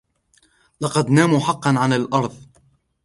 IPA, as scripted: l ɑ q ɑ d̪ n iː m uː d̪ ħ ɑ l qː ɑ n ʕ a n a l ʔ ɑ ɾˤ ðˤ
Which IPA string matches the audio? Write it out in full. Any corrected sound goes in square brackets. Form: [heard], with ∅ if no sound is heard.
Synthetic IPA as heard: l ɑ q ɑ d̪ n [aː] m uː [∅] ħ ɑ [∅] qː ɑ n ʕ a n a l ʔ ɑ ɾˤ ðˤ